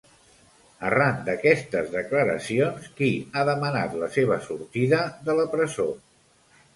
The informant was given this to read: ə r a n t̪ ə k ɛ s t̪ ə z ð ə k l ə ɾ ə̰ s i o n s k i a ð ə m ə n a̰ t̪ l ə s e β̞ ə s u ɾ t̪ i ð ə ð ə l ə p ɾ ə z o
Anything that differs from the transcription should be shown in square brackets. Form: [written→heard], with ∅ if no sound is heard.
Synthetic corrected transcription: ə r a n [t̪→d̪] ə k ɛ s t̪ ə z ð ə k l ə ɾ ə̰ s i o n s k i a ð ə m ə n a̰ t̪ l ə s e β̞ ə s u ɾ t̪ i ð ə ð ə l ə p ɾ ə z o

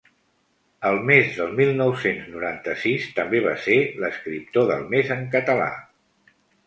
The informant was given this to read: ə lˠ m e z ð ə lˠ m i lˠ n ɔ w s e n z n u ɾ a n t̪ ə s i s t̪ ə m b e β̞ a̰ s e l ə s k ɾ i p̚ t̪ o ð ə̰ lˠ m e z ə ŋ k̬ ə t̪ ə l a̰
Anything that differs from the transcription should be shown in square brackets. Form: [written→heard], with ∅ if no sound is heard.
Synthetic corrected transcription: ə lˠ m e z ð ə lˠ m i lˠ n ɔ w s e n z n u ɾ a n t̪ ə s i s t̪ ə m b e β̞ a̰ s e l ə s k ɾ i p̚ t̪ o ð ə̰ lˠ m e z ə ŋ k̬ ə t̪ ə l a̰

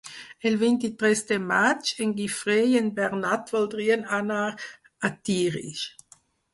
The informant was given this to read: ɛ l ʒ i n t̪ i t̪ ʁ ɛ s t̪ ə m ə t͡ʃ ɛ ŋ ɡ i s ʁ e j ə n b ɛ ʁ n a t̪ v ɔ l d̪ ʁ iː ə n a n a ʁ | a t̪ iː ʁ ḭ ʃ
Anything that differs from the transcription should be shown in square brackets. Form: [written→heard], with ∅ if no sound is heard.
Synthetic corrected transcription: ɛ l [ʒ→v] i n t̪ i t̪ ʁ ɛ s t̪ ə m [ə→a] t͡ʃ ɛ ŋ ɡ i [s→f] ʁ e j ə n b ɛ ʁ n a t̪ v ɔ l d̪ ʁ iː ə n a n a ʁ | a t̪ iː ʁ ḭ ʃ

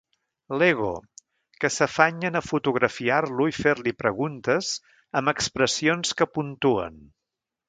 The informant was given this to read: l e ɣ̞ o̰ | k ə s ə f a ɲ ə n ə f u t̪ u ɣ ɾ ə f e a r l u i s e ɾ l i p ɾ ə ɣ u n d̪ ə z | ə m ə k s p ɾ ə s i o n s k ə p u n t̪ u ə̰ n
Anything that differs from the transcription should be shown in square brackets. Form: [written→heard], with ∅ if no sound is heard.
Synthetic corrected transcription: l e ɣ̞ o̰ | k ə s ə f a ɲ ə n ə f u t̪ u ɣ ɾ ə f [e→i] a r l u i [s→f] e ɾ l i p ɾ ə ɣ u n [d̪→t̪] ə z | ə m ə k s p ɾ ə s i o n s k ə p u n t̪ u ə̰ n

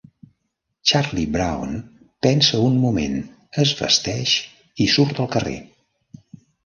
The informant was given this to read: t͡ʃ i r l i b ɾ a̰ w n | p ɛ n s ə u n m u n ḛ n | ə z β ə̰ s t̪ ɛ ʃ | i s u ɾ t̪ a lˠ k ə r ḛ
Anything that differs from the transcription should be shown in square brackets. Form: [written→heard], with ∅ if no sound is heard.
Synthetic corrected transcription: t͡ʃ [i→a] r l i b ɾ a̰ w n | p ɛ n s ə u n m u [n→m] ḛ n | ə z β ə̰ s t̪ ɛ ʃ | i s u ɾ t̪ [a→ə] lˠ k ə r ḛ

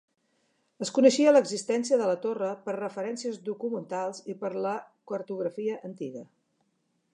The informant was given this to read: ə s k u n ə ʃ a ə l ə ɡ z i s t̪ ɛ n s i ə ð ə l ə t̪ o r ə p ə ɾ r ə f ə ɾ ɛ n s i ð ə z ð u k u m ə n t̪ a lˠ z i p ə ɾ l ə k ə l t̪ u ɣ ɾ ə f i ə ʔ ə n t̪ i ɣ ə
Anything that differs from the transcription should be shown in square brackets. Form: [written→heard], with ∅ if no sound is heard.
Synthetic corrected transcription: ə s k u n ə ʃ [a→i] ə l ə ɡ z i s t̪ ɛ n s i ə ð ə l ə t̪ o r ə p ə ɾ r ə f ə ɾ ɛ n s i [ð→∅] ə z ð u k u m ə n t̪ a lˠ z i p ə ɾ l ə k ə [l→ɾ] t̪ u ɣ ɾ ə f i ə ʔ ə n t̪ i ɣ ə

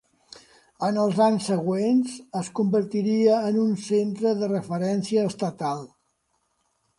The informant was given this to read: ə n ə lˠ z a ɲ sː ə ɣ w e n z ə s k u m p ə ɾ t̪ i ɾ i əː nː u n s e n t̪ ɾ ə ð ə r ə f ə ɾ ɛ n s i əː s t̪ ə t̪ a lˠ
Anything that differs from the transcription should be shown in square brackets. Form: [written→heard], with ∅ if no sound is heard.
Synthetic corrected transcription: ə n ə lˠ z a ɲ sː ə ɣ w e n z ə s k u m [p→b] ə ɾ t̪ i ɾ i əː [nː→n] u n s e n t̪ ɾ ə ð ə r ə f ə ɾ ɛ n s i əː s t̪ ə t̪ a lˠ

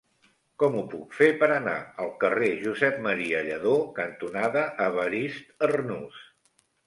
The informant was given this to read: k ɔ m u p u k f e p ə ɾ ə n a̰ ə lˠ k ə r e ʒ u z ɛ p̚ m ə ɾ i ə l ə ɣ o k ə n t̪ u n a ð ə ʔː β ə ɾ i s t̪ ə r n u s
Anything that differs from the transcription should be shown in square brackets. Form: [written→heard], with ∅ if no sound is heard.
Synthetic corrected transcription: k ɔ m u p u k f e p ə ɾ ə n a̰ ə lˠ k ə r e ʒ u z ɛ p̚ m ə ɾ i ə [l→ʎ] ə [ɣ→ð] o k ə n t̪ u n a ð ə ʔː β ə ɾ i s t̪ ə r n u s

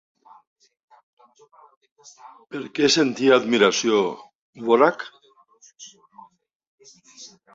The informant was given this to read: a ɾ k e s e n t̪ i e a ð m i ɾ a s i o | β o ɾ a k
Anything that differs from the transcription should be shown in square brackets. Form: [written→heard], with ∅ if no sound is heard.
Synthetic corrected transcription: [a→e] ɾ k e s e n t̪ i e a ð m i ɾ a s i o | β o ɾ a k

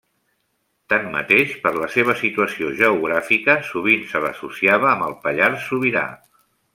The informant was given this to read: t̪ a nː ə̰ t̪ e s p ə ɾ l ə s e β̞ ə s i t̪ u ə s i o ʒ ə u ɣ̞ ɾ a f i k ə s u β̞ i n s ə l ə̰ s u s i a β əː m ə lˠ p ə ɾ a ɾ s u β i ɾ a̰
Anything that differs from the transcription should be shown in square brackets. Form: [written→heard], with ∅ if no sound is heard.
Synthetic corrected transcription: t̪ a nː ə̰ t̪ e [s→ʃ] p ə ɾ l ə s e β̞ ə s i t̪ u ə s i o ʒ ə u ɣ̞ ɾ a f i k ə s u β̞ i n s ə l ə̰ s u s i a β əː m ə lˠ p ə [ɾ→ʎ] a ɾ s u β i ɾ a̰

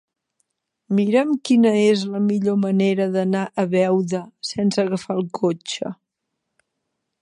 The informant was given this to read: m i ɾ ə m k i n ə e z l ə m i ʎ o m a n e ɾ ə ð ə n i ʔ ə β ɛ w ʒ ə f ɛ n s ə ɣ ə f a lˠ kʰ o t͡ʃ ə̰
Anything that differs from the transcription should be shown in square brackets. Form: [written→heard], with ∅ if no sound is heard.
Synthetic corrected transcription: m i ɾ ə m k i n ə e z l ə m i ʎ o m [a→ə] n e ɾ ə ð ə n [i→a] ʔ ə β ɛ w [ʒ→ð] ə [f→s] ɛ n s ə ɣ ə f a lˠ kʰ o t͡ʃ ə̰

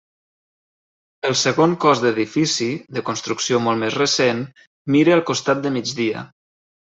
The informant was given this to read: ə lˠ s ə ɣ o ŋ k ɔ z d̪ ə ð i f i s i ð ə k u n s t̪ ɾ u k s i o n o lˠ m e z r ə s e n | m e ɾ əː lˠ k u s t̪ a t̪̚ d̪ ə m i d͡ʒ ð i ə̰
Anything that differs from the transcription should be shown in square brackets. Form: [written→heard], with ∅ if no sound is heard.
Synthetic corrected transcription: ə lˠ s ə ɣ o ŋ k ɔ z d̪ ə ð i f i s i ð ə k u n s t̪ ɾ u k s i o [n→m] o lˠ m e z r ə s e n | m [e→i] ɾ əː lˠ k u s t̪ a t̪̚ d̪ ə m i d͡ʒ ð i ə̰

